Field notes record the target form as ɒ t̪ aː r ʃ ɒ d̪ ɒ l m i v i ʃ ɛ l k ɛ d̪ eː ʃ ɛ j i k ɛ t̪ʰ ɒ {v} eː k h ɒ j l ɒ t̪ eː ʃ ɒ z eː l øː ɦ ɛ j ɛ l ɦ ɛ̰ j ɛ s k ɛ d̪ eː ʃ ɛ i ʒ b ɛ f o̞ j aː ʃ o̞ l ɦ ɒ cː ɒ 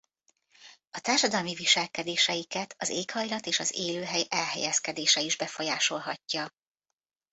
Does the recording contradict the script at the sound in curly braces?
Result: yes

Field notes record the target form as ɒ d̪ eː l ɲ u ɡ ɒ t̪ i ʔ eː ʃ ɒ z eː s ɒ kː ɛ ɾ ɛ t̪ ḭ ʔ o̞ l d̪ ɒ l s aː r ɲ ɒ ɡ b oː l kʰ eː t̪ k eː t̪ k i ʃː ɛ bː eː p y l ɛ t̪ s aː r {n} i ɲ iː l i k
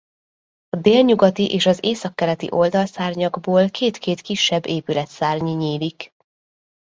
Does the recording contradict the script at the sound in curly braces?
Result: yes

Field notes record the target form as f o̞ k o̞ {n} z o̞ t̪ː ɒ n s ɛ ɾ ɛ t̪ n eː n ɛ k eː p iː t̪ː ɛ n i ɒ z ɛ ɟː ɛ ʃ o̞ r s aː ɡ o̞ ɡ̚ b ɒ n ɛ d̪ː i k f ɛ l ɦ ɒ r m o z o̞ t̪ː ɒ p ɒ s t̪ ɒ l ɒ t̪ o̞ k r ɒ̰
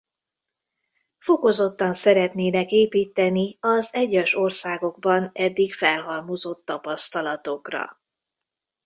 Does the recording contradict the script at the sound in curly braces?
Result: yes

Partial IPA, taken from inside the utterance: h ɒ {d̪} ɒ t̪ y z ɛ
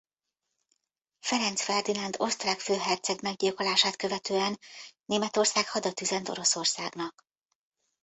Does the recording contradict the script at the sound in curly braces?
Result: no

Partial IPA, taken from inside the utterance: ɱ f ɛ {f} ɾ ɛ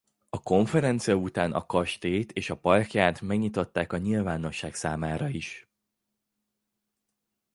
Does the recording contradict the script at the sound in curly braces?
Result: yes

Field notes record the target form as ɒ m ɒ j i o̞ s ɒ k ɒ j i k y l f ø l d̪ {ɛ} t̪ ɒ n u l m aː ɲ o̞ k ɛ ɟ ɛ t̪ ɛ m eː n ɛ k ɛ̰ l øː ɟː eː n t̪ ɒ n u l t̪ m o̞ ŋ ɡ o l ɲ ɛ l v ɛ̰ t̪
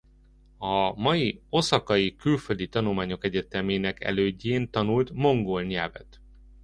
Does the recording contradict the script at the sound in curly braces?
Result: yes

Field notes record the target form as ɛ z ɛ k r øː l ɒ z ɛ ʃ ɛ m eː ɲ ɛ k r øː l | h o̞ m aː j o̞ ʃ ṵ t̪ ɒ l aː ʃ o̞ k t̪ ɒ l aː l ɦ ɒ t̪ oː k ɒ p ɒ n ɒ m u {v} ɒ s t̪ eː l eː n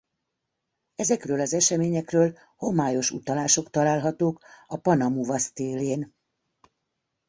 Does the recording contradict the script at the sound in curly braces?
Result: no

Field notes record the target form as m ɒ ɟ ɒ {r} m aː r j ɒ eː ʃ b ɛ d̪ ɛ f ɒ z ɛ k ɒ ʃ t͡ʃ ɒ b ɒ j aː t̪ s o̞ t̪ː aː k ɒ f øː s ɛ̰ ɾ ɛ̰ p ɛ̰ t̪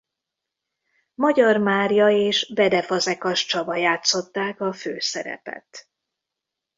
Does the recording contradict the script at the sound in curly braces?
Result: no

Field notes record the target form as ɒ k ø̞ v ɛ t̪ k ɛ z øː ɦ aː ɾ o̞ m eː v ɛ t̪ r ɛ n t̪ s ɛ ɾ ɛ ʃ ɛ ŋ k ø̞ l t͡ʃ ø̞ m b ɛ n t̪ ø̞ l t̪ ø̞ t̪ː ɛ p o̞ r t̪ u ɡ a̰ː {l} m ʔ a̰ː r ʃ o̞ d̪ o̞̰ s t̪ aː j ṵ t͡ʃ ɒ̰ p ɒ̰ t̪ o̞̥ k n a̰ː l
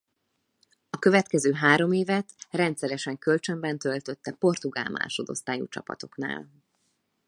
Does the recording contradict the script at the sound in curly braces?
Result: no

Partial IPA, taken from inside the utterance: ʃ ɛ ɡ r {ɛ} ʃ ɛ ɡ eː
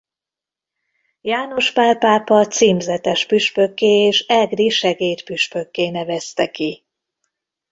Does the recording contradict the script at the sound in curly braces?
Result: yes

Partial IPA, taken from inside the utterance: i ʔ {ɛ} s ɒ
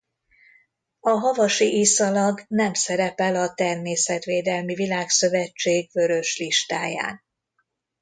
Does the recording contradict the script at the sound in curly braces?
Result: yes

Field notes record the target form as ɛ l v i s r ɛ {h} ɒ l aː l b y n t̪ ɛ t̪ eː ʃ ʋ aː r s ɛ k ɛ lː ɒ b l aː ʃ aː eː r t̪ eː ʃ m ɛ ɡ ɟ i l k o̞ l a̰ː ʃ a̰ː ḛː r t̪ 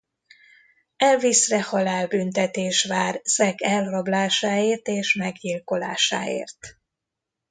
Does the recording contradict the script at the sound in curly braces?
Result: no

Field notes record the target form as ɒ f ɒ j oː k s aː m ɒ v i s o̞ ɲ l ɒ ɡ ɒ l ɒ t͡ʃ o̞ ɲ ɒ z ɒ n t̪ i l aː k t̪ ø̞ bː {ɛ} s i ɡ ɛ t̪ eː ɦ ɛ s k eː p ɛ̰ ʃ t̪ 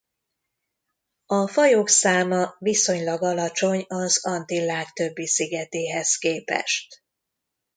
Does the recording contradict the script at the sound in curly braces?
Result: yes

